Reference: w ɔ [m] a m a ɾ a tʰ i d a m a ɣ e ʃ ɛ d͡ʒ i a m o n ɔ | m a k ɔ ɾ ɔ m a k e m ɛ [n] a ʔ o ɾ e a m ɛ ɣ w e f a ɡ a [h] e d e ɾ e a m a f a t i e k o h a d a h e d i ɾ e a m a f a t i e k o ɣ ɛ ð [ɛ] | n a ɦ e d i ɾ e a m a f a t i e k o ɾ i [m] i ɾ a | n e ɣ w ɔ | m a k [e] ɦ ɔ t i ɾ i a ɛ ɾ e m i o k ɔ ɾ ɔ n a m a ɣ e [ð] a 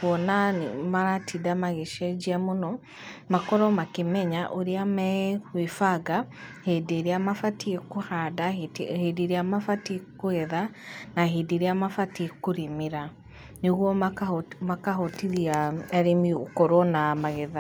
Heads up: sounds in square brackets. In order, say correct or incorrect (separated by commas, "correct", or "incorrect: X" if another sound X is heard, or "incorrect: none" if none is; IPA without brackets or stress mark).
incorrect: n, incorrect: ɲ, correct, incorrect: a, correct, incorrect: a, correct